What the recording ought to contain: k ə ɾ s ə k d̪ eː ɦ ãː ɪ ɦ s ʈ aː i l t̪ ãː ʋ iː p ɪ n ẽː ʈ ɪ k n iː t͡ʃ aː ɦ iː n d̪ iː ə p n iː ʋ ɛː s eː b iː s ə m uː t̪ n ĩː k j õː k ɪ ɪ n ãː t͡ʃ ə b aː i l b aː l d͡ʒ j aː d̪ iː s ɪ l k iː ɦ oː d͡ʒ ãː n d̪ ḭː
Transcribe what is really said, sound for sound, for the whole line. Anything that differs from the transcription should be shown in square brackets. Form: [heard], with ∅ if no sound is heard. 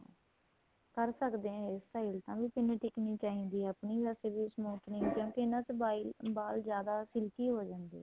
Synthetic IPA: k ə ɾ s ə k d̪ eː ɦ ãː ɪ [∅] s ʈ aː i l t̪ ãː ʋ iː p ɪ n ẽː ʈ ɪ k n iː t͡ʃ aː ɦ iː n d̪ iː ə p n iː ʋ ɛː s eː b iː s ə m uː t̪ n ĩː k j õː k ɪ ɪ n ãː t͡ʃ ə b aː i l b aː l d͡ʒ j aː d̪ [aː] s ɪ l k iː ɦ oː d͡ʒ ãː n d̪ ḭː